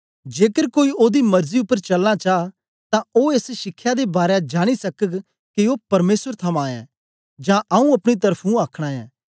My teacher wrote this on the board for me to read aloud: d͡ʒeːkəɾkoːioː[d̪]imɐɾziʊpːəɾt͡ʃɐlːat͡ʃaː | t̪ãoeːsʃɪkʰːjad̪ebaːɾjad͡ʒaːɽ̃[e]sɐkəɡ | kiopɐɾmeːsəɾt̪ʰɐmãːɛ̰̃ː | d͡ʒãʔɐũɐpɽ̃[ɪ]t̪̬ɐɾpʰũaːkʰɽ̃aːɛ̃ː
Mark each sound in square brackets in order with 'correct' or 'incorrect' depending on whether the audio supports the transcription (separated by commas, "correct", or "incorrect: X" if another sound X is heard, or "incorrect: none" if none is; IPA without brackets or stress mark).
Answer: correct, incorrect: i, incorrect: i